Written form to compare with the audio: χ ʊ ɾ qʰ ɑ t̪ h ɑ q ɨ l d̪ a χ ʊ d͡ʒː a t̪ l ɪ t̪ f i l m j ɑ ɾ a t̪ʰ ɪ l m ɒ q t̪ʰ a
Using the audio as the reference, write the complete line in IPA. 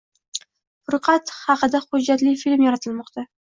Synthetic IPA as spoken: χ ʊ ɾ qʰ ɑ t̪ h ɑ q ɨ d̪ a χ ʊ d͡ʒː a t̪ l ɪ f i l m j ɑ ɾ a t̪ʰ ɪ l m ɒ q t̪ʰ a